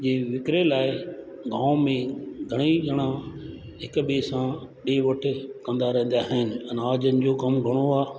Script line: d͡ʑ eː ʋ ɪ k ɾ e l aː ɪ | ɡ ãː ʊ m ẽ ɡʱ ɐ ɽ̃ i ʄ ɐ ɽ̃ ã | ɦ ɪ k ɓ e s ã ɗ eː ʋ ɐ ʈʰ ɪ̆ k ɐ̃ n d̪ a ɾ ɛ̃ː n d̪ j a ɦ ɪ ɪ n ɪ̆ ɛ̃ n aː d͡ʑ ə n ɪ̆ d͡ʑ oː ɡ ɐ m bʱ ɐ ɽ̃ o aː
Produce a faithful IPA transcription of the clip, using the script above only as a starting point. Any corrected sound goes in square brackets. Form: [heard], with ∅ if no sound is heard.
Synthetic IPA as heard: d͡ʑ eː ʋ ɪ k ɾ e l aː ɪ | ɡ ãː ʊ m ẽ ɡʱ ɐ ɽ̃ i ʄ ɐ ɽ̃ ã | ɦ ɪ k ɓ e s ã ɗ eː ʋ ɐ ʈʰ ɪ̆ k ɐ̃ n d̪ a ɾ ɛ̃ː n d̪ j a ɦ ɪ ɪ n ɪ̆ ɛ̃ n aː d͡ʑ ə n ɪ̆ d͡ʑ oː ɡ ɐ m [ɡʱ] ɐ ɽ̃ o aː

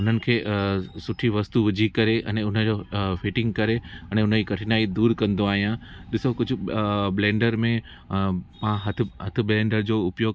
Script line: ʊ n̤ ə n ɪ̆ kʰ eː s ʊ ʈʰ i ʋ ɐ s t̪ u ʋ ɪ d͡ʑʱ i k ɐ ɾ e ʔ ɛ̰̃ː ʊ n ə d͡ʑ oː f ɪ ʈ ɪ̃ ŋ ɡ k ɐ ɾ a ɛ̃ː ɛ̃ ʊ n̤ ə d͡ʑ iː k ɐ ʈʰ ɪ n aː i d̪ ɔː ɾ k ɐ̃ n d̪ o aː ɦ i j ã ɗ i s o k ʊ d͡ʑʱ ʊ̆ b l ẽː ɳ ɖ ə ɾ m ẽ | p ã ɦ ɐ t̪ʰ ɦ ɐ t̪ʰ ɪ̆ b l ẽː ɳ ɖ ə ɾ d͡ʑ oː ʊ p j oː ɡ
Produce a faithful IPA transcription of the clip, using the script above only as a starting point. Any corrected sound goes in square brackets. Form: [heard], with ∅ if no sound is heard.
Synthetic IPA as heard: ʊ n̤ ə n ɪ̆ kʰ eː s ʊ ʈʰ i ʋ ɐ s t̪ u ʋ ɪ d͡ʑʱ i k ɐ ɾ e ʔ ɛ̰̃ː ʊ n ə d͡ʑ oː f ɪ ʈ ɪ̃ ŋ ɡ k ɐ ɾ [e] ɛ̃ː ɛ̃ ʊ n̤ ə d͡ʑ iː k ɐ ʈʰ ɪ n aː i d̪ [uː] ɾ k ɐ̃ n d̪ o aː ɦ i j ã ɗ [ɪ] s o k ʊ d͡ʑʱ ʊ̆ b l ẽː ɳ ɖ ə ɾ m ẽ | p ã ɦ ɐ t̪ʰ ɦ ɐ t̪ʰ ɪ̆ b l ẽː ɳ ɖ ə ɾ d͡ʑ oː ʊ p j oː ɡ

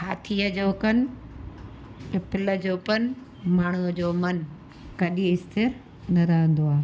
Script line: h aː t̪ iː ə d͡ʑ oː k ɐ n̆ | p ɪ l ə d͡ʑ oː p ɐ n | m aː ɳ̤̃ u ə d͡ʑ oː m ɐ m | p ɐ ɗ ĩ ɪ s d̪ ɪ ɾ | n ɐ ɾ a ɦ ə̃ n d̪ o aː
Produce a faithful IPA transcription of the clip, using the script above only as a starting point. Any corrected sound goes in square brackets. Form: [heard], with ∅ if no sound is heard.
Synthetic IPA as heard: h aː [t̪ʰ] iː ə d͡ʑ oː k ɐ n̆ | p ɪ l ə d͡ʑ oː p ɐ n | m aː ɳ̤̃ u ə d͡ʑ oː m ɐ [n] | [k] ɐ ɗ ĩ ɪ s [t̪] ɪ ɾ | n ɐ ɾ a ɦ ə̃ n d̪ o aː

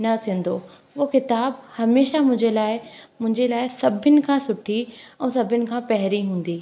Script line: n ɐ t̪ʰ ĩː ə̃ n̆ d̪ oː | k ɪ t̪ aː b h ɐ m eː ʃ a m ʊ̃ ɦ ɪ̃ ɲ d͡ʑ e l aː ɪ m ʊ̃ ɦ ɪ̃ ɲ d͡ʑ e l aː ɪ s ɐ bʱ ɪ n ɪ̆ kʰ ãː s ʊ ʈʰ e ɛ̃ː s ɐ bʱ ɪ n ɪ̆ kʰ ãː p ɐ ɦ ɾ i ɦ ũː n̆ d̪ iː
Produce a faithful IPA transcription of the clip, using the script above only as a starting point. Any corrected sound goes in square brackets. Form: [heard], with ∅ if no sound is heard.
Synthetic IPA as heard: n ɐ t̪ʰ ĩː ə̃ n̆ d̪ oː | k ɪ t̪ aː b h ɐ m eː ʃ a m ʊ̃ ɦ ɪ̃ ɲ d͡ʑ e l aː ɪ m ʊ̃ ɦ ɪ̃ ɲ d͡ʑ e l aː ɪ s ɐ bʱ ɪ n ɪ̆ kʰ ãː s ʊ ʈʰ [i] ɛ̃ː s ɐ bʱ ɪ n ɪ̆ kʰ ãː p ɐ ɦ ɾ i ɦ ũː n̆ d̪ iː

